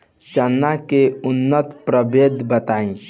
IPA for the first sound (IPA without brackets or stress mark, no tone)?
t͡ʃ